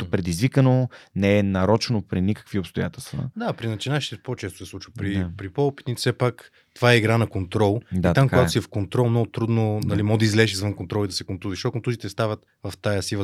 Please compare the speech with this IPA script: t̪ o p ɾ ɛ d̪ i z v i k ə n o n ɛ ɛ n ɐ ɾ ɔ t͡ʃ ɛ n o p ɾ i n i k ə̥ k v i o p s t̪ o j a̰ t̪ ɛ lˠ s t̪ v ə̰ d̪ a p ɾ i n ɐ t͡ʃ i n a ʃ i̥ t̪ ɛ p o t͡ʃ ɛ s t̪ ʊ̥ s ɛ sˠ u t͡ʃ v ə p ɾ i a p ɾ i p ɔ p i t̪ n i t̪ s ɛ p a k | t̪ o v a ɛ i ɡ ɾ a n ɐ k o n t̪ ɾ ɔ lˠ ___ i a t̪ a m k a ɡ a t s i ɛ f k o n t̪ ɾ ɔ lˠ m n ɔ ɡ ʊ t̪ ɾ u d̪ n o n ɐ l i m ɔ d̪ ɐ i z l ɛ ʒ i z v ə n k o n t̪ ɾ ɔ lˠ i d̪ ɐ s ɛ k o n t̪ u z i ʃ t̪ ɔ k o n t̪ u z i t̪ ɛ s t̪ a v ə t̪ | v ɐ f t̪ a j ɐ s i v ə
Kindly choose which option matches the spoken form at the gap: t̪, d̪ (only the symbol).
d̪